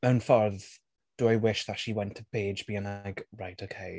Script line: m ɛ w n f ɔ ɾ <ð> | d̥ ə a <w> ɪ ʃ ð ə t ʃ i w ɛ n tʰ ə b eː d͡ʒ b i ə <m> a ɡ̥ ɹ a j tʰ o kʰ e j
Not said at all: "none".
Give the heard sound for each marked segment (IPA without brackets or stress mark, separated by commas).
ð, w, n